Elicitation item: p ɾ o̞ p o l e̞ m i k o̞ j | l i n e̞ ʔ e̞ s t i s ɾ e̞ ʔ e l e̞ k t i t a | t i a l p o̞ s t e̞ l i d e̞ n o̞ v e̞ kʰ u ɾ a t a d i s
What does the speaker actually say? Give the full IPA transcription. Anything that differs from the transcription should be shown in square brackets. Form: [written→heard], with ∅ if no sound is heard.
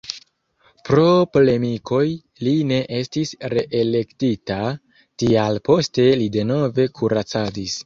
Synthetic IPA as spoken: p ɾ o̞ p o l e̞ m i k o̞ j | l i n e̞ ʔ e̞ s t i s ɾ e̞ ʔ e l e̞ k t i t a | t i a l p o̞ s t e̞ l i d e̞ n o̞ v e̞ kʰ u ɾ a [t→t͡s] a d i s